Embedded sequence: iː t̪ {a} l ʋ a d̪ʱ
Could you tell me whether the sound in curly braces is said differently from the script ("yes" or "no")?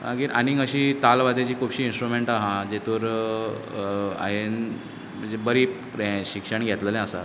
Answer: no